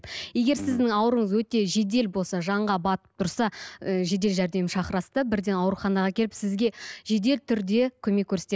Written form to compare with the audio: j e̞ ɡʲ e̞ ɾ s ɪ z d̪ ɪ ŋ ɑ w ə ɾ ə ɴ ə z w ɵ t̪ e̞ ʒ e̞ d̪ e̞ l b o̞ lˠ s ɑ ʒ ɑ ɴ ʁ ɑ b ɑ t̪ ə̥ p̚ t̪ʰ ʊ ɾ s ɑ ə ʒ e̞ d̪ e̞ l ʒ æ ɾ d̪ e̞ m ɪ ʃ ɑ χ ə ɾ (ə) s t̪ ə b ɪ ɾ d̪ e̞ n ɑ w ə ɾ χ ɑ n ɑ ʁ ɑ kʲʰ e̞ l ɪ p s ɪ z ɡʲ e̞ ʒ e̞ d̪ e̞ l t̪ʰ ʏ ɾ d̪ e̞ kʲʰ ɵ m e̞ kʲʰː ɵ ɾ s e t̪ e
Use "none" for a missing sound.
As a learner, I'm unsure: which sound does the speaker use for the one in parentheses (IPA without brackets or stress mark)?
ɑ